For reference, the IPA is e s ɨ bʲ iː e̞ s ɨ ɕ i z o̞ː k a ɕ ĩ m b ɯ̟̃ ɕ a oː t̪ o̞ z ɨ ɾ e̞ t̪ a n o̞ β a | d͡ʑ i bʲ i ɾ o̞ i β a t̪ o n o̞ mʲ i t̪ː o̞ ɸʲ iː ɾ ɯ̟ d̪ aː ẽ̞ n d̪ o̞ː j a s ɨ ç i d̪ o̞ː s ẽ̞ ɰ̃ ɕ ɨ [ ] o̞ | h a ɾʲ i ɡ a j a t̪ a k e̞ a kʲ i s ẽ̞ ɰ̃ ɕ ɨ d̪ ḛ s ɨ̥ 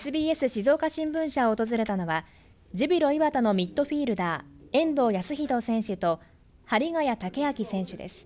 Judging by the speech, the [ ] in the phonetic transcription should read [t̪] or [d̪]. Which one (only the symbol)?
t̪